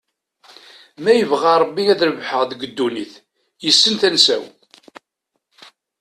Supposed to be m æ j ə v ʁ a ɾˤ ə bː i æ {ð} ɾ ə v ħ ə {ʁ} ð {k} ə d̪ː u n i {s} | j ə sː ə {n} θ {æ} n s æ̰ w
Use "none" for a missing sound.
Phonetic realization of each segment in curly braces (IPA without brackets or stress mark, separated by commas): ð, ʁ, ɡ, θ, n, æ